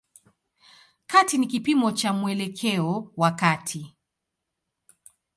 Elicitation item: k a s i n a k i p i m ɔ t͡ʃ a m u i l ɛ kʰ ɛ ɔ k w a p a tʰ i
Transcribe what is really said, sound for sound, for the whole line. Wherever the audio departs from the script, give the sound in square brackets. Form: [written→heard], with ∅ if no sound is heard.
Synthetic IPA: k a [s→t] i n [a→i] k i p i m ɔ t͡ʃ a m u [i→ɛ] l ɛ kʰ ɛ ɔ [k→∅] w a [p→k] a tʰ i

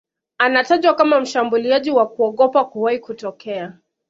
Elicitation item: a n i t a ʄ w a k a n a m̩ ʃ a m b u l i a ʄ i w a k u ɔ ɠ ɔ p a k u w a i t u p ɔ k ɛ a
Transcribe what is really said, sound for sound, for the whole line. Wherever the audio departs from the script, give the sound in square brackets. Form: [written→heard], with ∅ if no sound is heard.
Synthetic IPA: a n [i→a] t a ʄ w a k a [n→m] a m̩ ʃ a m b u l i a ʄ i w a k u ɔ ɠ ɔ p a k u w a i [t→k] u [p→t] ɔ k ɛ a

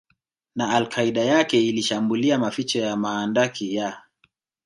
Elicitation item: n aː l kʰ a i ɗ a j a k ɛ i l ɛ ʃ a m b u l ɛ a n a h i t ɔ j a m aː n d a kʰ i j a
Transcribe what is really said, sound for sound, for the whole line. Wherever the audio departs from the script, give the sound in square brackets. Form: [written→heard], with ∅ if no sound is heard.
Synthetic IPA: n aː l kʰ a i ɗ a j a k ɛ i l [ɛ→i] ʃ a m b u l [ɛ→i] a [n→m] a [h→f] i [t→t͡ʃ] ɔ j a m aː n d a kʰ i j a

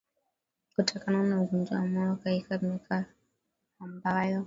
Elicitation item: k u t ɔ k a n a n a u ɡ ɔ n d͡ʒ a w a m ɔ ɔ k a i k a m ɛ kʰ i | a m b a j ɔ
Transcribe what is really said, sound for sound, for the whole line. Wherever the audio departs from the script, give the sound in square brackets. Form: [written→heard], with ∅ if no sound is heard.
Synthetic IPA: k u t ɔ k a n a n a u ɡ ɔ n d͡ʒ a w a m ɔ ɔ k a i k a m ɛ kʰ [i→a] | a m b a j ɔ

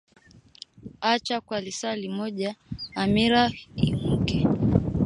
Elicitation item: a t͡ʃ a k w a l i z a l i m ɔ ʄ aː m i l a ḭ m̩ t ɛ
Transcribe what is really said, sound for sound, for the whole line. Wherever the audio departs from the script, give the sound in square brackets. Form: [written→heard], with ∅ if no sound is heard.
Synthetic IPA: a t͡ʃ a k w a l i [z→s] a l i m ɔ ʄ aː m i [l→ɾ] a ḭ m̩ [t→k] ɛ

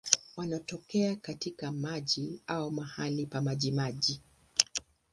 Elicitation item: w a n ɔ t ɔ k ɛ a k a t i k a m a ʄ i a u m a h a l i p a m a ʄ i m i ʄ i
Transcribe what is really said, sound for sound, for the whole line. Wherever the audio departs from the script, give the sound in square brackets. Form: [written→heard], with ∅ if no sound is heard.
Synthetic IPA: w a n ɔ t ɔ k ɛ a k a t i k a m a ʄ i a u m a h a l i p a m a ʄ i m [i→a] ʄ i

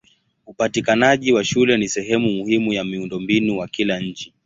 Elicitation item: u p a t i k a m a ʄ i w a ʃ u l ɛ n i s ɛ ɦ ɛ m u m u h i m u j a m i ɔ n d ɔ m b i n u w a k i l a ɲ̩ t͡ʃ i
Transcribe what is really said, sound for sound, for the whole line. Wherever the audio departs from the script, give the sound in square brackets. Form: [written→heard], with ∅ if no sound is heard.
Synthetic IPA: u p a t i k a [m→n] a ʄ i w a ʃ u l ɛ n i s ɛ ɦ ɛ m u m u h i m u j a m i [ɔ→u] n d ɔ m b i n u w a k i l a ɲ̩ t͡ʃ i

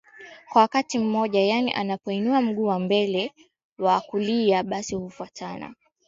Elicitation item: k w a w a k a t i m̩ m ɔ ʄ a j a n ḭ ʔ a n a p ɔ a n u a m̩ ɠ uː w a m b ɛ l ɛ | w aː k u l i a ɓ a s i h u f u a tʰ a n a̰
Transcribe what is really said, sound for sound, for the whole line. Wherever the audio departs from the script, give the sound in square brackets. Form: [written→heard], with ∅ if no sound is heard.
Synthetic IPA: k w a w a k a t i m̩ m ɔ ʄ a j a n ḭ ʔ a n a p ɔ [a→i] n u a m̩ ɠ uː w a m b ɛ l ɛ | w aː k u l i a ɓ a s i h u f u a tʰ a n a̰

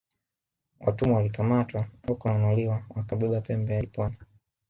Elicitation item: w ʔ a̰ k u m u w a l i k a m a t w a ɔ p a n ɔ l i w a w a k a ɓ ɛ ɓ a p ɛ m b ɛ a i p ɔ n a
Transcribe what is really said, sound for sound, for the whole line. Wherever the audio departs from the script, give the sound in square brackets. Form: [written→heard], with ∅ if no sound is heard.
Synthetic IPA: w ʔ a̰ [k→t] u m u w a l i k a m a t w a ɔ [p→k] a n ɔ l i w a w a k a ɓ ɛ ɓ a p ɛ m b ɛ a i p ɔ n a

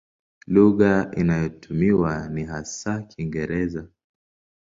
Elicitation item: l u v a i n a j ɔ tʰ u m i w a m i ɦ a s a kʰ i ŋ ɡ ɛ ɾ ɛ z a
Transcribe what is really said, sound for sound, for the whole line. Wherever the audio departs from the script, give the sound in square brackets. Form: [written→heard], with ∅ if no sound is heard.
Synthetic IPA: l u [v→ɣ] a i n a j ɔ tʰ u m i w a [m→n] i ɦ a s a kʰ i ŋ ɡ ɛ ɾ ɛ z a

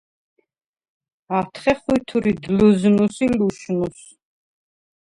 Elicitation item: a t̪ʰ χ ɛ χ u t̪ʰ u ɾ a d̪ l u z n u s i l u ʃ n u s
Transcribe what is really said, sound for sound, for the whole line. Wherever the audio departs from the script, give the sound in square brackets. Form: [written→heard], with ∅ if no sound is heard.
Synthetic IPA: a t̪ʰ χ ɛ χ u t̪ʰ u ɾ [a→i] d̪ l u z n u s i l u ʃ n u s

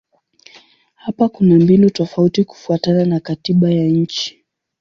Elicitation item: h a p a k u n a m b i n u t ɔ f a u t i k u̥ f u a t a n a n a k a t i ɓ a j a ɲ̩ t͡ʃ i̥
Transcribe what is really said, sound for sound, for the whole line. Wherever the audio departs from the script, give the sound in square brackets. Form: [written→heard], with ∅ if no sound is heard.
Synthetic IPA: h a p a k u n a m b i n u t ɔ f a u t i k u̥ f u a t a n a n a k a t i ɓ a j a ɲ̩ t͡ʃ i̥

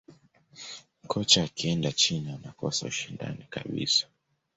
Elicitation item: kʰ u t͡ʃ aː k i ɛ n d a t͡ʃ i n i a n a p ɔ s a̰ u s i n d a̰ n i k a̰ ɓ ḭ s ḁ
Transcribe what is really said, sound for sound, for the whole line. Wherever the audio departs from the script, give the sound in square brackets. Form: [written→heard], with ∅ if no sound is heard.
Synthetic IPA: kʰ [u→ɔ] t͡ʃ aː k i ɛ n d a t͡ʃ i n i a n a [p→k] ɔ s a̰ u [s→ʃ] i n d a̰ n i k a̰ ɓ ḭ s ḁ

